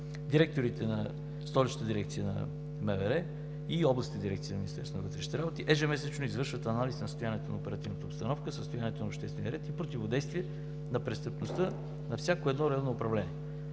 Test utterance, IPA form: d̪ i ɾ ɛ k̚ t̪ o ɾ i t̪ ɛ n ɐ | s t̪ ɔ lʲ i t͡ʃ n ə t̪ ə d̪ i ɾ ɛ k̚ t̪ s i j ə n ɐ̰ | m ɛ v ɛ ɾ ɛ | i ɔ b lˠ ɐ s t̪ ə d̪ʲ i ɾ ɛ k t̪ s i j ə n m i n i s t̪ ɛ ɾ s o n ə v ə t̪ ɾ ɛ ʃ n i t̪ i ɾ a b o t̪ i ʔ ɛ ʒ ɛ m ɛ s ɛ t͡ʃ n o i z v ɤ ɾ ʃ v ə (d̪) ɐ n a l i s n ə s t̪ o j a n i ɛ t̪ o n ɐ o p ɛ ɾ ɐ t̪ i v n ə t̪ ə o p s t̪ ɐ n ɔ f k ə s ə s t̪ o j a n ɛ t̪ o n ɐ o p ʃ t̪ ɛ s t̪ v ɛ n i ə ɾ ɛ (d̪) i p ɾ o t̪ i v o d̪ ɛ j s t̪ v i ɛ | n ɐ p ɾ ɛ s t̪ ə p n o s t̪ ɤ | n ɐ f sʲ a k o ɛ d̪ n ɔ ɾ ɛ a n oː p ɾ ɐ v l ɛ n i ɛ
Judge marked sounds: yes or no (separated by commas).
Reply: no, no